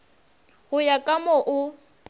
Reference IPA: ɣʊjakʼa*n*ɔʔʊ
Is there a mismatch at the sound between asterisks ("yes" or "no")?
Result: yes